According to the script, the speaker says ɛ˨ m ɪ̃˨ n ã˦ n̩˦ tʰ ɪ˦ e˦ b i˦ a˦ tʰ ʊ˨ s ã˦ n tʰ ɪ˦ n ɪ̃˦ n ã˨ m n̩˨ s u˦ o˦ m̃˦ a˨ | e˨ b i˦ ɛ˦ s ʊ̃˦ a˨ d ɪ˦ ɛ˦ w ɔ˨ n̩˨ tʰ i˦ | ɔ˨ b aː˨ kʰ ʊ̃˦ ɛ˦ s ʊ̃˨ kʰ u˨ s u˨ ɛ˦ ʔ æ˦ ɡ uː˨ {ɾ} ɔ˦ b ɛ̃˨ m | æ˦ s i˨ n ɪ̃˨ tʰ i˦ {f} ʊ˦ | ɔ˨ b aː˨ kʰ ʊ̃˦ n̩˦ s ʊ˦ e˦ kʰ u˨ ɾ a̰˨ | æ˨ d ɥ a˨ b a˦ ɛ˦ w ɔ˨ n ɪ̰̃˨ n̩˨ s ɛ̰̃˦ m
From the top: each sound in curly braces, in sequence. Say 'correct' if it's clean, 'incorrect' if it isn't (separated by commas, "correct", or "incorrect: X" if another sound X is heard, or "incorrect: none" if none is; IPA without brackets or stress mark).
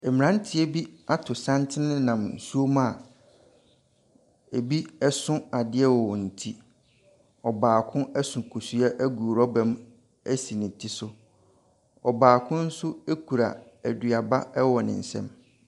correct, incorrect: s